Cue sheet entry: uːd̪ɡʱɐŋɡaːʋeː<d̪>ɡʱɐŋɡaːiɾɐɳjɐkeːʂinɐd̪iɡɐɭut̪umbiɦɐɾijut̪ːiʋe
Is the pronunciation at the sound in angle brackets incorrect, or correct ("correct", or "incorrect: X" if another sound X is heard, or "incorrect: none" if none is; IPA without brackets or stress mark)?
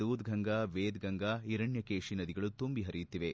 correct